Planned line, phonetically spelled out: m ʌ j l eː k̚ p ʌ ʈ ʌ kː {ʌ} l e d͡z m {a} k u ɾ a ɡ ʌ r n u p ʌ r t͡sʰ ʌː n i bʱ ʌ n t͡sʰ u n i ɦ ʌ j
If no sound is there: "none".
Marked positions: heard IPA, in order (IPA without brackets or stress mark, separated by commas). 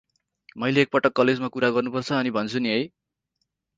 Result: ʌ, a